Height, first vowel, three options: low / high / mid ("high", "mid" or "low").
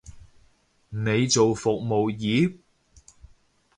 mid